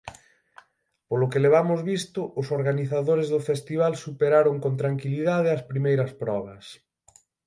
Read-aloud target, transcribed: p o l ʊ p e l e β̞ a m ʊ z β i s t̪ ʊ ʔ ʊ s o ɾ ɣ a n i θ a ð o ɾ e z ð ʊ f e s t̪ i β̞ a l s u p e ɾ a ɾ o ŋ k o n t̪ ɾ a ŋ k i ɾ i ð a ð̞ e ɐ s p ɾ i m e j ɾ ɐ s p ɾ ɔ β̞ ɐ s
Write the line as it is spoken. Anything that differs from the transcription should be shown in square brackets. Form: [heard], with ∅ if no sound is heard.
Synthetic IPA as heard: p o l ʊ [k] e l e β̞ a m ʊ z β i s t̪ ʊ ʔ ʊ s o ɾ ɣ a n i θ a ð o ɾ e z ð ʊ f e s t̪ i β̞ a l s u p e ɾ a ɾ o ŋ k o n t̪ ɾ a ŋ k i [l] i ð a ð̞ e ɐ s p ɾ i m e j ɾ ɐ s p ɾ ɔ β̞ ɐ s